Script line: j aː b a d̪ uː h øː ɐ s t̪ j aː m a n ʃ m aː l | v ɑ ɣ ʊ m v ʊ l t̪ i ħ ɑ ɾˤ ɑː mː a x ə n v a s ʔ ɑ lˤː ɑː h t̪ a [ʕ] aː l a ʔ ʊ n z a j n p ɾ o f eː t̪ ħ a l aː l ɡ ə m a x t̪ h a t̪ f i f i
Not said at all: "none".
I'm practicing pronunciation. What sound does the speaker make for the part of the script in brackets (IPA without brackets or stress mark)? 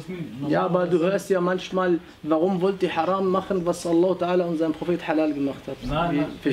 ʕ